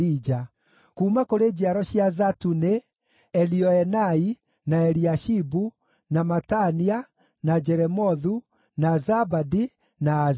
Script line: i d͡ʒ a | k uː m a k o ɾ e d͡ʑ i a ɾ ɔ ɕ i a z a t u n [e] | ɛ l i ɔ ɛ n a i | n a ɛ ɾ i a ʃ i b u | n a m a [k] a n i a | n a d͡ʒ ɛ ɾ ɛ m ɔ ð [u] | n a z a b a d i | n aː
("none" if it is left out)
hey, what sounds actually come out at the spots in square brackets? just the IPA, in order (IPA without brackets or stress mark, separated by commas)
e, t, u